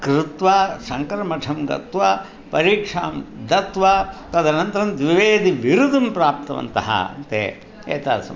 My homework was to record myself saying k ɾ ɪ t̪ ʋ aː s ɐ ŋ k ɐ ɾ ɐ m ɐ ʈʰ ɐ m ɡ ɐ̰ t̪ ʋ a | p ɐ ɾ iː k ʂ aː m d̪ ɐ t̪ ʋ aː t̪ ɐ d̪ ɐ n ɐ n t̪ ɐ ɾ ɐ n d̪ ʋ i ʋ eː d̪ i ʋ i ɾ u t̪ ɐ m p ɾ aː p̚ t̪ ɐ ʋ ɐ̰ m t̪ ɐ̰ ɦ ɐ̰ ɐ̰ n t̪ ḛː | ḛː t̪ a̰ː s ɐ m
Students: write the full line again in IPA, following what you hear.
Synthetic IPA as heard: k ɾ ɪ t̪ ʋ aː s ɐ ŋ k ɐ ɾ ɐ m ɐ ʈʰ ɐ m ɡ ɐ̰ t̪ ʋ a | p ɐ ɾ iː k ʂ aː m d̪ ɐ t̪ ʋ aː t̪ ɐ d̪ ɐ n ɐ n t̪ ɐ ɾ ɐ n d̪ ʋ i ʋ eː d̪ i ʋ i ɾ u d̪ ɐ m p ɾ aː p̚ t̪ ɐ ʋ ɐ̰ n t̪ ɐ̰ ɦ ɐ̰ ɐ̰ n t̪ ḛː | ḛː t̪ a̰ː s ɐ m